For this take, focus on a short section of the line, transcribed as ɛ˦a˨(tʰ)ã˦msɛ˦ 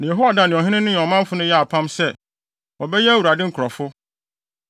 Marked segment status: incorrect: pʰ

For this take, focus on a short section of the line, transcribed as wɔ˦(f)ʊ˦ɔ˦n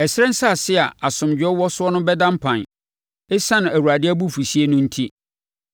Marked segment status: incorrect: s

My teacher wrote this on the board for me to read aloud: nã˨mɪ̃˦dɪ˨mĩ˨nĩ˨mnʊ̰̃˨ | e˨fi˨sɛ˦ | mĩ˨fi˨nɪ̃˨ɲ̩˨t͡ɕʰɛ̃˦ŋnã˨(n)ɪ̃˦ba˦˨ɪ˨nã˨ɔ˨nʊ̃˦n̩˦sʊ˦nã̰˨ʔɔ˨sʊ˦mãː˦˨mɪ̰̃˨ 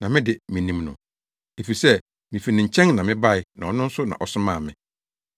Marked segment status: incorrect: m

